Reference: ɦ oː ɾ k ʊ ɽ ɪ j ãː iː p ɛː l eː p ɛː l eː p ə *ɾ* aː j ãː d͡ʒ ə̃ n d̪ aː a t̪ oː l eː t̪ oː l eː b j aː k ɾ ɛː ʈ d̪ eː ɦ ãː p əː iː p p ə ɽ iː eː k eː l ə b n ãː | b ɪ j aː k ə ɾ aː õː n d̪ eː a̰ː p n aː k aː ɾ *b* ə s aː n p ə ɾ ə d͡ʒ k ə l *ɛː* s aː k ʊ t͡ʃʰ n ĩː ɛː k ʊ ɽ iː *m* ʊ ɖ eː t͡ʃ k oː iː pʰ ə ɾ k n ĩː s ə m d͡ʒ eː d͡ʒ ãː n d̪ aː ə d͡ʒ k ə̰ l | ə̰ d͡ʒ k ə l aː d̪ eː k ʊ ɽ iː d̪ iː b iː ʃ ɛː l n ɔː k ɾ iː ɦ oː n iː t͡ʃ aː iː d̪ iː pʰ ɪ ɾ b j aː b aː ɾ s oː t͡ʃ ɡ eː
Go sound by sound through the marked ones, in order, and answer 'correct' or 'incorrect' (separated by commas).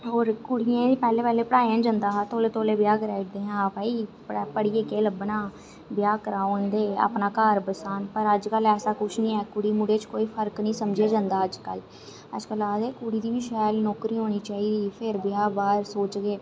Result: incorrect, correct, correct, correct